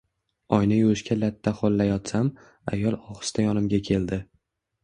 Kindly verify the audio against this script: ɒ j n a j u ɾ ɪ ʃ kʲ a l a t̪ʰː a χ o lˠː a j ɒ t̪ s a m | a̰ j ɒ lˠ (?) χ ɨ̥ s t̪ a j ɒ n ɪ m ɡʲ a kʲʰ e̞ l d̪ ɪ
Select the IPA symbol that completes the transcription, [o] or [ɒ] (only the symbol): ɒ